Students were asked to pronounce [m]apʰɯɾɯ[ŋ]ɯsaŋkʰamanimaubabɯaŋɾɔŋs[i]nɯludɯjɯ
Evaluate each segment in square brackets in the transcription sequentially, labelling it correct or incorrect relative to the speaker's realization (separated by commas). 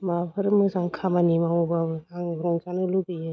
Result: correct, incorrect, incorrect